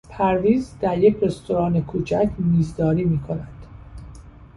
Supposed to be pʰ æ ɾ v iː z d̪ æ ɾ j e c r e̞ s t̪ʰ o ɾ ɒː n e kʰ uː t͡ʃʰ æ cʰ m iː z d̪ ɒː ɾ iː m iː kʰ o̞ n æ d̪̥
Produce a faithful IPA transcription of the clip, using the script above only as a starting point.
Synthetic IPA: pʰ æ ɾ v iː z d̪ æ ɾ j e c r e̞ s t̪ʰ o ɾ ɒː n e kʰ uː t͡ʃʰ æ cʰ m iː z d̪ ɒː ɾ iː m iː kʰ o̞ n æ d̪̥